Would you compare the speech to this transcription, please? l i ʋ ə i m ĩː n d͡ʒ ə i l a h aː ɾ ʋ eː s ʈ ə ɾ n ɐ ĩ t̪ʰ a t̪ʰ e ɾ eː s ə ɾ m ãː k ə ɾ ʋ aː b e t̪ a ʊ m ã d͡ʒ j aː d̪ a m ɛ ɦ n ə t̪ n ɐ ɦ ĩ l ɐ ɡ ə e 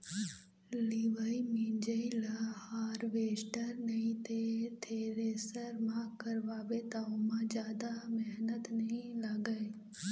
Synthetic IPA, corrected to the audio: l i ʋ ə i m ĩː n d͡ʒ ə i l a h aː ɾ ʋ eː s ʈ ə ɾ n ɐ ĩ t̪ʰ e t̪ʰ e ɾ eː s ə ɾ m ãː k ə ɾ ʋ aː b e t̪ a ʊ m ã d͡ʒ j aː d̪ a m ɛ ɦ n ə t̪ n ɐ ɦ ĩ l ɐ ɡ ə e